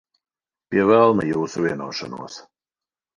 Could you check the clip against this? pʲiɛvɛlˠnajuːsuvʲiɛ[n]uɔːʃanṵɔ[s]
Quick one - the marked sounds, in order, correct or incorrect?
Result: correct, correct

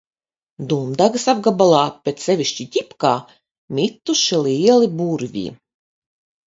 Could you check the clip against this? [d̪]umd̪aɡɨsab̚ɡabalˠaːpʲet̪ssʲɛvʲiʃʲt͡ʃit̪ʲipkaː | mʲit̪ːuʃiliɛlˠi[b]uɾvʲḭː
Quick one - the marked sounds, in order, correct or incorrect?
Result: correct, correct

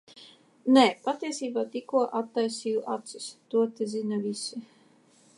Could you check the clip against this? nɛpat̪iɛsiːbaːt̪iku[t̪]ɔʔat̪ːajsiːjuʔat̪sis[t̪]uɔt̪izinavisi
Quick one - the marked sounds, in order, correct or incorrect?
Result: incorrect, correct

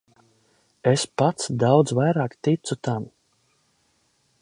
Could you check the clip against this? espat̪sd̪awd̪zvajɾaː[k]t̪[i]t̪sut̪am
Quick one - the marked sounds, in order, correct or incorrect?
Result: correct, correct

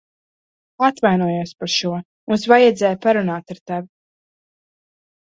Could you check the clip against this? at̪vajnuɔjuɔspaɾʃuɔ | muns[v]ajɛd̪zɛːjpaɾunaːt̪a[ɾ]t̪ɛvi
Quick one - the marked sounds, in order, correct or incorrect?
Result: correct, correct

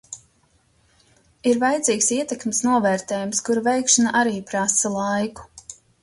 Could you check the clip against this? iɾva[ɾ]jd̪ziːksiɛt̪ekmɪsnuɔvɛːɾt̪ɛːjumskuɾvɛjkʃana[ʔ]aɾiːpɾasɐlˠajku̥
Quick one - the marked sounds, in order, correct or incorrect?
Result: incorrect, correct

